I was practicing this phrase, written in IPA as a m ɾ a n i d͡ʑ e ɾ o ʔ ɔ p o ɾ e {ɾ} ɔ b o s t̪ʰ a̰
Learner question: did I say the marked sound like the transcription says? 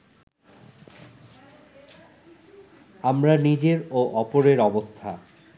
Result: yes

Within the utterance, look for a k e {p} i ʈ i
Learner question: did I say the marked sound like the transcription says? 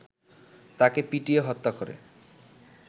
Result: yes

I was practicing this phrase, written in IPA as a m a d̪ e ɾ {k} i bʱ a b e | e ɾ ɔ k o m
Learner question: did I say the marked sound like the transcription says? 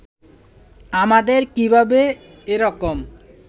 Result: yes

